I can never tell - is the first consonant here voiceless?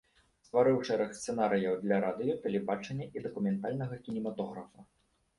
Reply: yes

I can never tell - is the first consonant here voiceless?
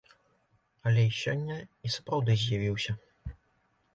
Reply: no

